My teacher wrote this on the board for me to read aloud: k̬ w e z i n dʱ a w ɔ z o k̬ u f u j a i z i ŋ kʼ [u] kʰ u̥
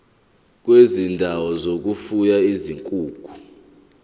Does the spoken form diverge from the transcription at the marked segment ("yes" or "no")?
yes